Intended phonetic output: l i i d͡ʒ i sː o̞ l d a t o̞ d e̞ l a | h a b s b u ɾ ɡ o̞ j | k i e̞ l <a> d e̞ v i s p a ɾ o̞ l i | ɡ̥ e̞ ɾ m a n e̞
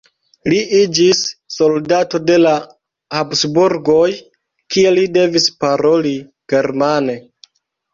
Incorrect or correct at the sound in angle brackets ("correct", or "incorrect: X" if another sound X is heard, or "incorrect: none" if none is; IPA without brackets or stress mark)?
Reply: incorrect: i